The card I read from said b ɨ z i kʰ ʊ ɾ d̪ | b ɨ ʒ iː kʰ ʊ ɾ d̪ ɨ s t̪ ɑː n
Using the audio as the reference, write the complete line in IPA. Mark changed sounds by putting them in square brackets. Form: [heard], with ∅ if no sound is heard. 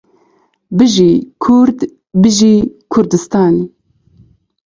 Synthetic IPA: b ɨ [ʒ] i kʰ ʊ ɾ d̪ | b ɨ ʒ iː kʰ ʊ ɾ d̪ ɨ s t̪ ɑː n